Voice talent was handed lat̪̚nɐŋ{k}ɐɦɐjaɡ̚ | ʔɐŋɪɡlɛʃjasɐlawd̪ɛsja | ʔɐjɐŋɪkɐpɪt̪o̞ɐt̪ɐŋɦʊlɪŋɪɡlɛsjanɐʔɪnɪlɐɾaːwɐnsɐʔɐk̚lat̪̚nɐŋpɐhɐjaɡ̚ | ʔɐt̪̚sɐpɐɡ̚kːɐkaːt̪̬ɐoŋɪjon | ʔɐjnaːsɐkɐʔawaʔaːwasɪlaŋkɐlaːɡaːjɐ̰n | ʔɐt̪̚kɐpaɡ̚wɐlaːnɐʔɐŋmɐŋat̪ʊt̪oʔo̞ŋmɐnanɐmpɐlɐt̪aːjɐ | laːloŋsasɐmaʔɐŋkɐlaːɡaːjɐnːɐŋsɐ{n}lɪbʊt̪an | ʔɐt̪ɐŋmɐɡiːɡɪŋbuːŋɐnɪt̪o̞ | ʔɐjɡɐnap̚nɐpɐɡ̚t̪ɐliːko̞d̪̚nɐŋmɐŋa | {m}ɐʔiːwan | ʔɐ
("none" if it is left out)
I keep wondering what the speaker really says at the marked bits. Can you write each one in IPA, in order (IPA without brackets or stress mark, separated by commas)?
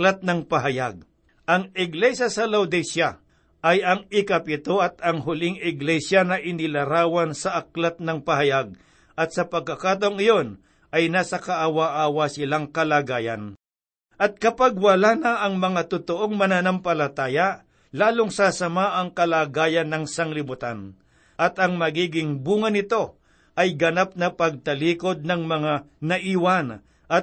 p, ŋ, n